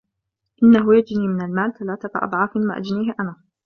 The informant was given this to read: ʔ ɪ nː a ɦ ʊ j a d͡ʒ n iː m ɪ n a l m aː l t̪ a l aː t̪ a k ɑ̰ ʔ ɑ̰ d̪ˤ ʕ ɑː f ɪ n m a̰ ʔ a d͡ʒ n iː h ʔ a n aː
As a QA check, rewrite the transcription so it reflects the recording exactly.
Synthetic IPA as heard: ʔ ɪ nː a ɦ ʊ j a d͡ʒ n iː m ɪ n a l m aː l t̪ a l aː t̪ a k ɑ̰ ʔ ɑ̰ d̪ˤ ʕ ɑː f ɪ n m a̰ ʔ a d͡ʒ n iː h ʔ a n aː